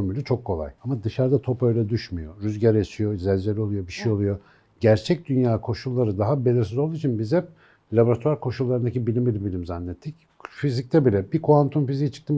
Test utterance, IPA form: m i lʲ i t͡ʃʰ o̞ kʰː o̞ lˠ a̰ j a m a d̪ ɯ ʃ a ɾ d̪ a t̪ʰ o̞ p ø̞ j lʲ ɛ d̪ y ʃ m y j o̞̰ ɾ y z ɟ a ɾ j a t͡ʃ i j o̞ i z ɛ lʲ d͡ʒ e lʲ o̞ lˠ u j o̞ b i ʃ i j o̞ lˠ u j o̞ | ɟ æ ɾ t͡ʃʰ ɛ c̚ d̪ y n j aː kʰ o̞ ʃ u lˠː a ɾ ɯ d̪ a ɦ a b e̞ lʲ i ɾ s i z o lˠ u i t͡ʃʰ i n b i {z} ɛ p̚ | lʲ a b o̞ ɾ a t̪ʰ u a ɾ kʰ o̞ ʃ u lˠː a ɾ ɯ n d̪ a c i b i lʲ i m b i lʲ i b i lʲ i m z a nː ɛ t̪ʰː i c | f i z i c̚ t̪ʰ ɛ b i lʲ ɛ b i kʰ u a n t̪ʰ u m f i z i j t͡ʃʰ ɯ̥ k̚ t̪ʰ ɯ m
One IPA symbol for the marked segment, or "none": z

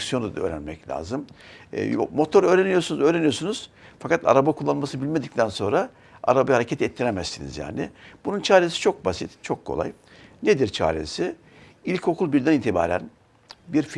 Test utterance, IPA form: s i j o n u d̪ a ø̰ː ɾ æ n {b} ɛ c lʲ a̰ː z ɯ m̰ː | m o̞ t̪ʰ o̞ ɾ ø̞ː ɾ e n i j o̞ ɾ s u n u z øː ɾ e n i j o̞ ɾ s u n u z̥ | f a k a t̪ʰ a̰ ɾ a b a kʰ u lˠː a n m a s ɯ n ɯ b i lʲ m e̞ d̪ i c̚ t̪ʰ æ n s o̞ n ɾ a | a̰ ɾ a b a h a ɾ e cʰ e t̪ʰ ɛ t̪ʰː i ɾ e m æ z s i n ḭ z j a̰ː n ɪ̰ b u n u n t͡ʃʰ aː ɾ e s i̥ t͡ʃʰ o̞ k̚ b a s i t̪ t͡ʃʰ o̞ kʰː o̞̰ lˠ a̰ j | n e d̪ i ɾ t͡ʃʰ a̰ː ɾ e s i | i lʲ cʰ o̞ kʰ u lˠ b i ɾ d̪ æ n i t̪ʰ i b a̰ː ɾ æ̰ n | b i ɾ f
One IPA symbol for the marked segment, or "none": m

